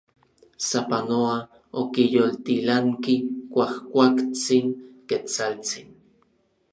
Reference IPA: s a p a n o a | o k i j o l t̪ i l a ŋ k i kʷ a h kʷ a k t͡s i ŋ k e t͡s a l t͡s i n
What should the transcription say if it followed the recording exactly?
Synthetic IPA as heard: s a p a n o a | o k i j o l t̪ i l a ŋ k i kʷ a h kʷ a k t͡s i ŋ k e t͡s a l t͡s i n